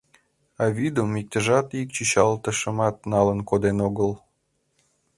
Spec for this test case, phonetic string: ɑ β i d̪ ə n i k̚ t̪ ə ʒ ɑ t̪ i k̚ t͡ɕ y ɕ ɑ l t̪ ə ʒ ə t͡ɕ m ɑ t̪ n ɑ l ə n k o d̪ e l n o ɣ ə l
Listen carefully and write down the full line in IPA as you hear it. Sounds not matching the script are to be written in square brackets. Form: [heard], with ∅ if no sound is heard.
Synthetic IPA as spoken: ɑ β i d̪ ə [m] i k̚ t̪ ə ʒ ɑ t̪ i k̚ t͡ɕ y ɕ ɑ l t̪ ə [ʃ] ə [∅] m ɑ t̪ n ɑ l ə n k o d̪ e [∅] n o ɣ ə l